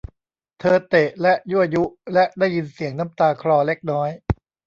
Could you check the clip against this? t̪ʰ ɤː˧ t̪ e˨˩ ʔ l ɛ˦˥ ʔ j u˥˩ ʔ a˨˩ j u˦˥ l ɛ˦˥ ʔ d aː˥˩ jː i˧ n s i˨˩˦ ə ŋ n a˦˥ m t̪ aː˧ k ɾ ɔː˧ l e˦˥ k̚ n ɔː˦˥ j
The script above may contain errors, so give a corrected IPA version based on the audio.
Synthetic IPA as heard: t̪ʰ ɤː˧ t̪ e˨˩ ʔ l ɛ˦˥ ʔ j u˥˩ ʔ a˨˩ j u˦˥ l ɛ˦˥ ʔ d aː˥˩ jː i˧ n s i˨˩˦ ə ŋ n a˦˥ m t̪ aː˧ kʰ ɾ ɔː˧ l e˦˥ k̚ n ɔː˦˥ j